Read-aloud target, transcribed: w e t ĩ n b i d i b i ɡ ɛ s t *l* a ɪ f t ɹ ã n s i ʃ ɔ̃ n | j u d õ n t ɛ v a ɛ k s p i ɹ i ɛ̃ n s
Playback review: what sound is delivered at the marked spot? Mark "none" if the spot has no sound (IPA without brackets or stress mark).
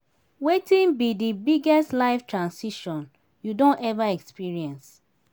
l